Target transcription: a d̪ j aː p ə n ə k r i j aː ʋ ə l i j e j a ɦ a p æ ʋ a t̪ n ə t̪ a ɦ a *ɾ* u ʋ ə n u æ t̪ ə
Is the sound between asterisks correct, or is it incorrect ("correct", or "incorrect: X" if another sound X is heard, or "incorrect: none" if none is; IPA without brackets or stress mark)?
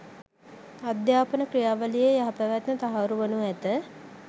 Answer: correct